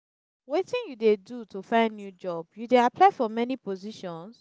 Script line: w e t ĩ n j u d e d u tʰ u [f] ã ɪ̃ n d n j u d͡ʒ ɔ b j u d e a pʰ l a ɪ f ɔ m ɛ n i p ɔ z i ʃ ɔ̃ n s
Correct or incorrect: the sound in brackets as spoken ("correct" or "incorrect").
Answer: correct